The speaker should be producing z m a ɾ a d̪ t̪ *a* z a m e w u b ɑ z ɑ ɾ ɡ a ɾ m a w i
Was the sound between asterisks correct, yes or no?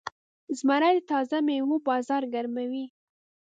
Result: no